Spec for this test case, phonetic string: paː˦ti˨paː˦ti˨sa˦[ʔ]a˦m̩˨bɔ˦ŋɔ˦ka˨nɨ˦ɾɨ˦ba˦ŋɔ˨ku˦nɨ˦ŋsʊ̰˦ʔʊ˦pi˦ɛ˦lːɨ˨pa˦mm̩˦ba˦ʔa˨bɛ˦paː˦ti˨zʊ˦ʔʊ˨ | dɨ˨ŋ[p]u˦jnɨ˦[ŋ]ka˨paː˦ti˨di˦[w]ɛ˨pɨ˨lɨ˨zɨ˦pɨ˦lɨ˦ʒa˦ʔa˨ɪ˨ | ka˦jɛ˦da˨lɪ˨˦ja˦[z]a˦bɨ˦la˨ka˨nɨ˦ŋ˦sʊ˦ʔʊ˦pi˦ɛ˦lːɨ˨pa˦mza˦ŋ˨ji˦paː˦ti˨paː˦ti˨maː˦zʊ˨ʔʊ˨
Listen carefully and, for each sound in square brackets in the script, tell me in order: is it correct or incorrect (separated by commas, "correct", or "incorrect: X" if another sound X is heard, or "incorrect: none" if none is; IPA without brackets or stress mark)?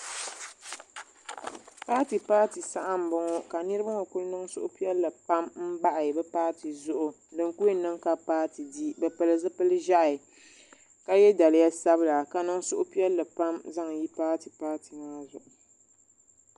correct, incorrect: k, correct, incorrect: b, incorrect: s